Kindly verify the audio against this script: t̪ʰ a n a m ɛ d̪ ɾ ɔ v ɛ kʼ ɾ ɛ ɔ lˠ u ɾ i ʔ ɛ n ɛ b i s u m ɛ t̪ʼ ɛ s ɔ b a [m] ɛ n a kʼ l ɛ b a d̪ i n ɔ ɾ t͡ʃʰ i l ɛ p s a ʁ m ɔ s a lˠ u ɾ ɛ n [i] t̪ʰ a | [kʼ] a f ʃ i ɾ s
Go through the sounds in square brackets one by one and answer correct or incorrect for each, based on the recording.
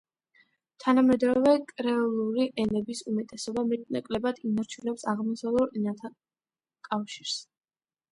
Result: correct, incorrect: a, correct

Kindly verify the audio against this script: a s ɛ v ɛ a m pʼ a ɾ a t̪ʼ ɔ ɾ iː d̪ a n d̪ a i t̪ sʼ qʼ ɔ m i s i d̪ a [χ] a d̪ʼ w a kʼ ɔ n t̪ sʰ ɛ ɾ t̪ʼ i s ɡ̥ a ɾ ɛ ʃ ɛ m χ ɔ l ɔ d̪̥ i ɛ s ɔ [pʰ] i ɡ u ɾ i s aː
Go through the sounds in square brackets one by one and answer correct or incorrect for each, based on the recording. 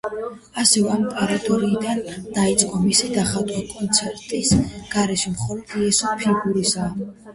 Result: correct, correct

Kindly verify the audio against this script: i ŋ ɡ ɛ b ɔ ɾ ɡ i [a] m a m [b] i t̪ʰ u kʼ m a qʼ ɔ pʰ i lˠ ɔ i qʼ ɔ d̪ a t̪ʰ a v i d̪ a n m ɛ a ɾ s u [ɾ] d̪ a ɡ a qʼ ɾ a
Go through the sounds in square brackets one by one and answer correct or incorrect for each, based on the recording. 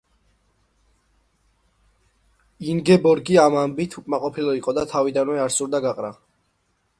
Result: correct, correct, correct

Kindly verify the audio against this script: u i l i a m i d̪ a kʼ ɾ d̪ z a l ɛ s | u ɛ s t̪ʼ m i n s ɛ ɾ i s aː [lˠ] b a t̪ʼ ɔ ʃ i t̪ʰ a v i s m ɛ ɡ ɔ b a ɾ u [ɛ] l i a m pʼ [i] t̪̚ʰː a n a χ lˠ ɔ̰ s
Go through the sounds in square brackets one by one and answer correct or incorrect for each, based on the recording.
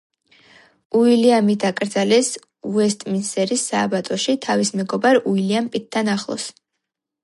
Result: incorrect: none, incorrect: i, correct

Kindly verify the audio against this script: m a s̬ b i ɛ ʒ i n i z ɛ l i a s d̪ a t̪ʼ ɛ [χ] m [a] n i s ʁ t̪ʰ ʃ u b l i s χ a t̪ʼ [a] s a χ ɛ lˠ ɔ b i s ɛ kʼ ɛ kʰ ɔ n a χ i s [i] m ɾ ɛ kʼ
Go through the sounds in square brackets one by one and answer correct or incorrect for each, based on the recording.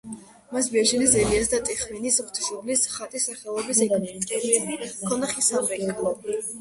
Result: correct, incorrect: i, incorrect: i, incorrect: a

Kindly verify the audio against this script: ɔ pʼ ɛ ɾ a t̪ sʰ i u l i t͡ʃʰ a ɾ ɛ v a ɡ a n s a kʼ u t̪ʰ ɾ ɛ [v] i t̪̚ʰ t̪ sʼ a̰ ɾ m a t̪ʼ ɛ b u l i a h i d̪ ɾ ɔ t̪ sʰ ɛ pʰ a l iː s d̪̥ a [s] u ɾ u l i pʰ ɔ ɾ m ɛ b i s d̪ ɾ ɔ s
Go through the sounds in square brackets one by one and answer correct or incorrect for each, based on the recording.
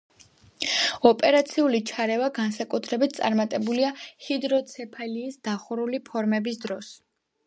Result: incorrect: b, incorrect: χ

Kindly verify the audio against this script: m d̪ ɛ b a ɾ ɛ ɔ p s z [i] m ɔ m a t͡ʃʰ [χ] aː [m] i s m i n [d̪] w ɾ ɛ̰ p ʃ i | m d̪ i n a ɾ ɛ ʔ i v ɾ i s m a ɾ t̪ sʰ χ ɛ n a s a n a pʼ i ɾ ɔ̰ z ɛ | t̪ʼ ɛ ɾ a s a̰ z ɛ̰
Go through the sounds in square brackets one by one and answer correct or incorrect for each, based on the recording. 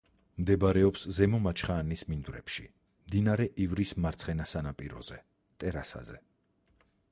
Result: incorrect: ɛ, correct, incorrect: n, correct

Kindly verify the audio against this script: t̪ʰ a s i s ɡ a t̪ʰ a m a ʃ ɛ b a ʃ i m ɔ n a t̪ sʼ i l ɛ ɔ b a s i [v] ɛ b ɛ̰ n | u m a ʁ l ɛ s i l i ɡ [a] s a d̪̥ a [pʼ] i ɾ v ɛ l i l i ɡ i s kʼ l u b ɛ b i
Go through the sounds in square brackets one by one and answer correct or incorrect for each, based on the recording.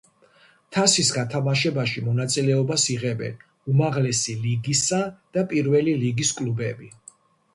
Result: incorrect: ʁ, incorrect: i, correct

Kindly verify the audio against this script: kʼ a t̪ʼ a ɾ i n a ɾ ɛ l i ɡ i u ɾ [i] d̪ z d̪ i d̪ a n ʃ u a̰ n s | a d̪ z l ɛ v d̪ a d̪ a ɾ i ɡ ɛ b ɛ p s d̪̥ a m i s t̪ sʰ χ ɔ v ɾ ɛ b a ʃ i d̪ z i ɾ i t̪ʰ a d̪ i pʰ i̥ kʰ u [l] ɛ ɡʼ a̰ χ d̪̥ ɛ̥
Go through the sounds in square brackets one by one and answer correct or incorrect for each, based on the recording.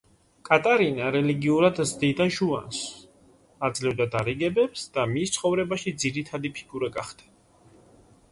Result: incorrect: a, incorrect: ɾ

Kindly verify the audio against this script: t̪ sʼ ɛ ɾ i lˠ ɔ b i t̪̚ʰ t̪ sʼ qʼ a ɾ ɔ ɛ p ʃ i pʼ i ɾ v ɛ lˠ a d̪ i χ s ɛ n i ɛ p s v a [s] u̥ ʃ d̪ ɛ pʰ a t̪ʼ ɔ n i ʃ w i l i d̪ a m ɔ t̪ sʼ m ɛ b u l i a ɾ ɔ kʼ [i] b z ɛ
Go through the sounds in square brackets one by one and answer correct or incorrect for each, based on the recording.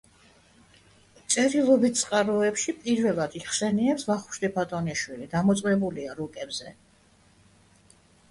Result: incorrect: χ, incorrect: ɛ

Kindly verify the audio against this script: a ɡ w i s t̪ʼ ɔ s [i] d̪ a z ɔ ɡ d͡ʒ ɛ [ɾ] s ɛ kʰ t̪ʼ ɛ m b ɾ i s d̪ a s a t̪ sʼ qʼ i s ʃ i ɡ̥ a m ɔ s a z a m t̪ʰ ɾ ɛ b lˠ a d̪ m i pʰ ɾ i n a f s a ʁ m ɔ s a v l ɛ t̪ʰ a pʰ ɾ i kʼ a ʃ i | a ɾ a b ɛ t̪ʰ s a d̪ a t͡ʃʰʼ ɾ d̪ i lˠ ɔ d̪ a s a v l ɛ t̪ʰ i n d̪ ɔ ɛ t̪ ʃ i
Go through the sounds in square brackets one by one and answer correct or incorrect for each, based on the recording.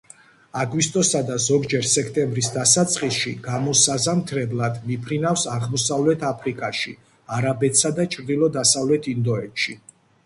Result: incorrect: a, correct

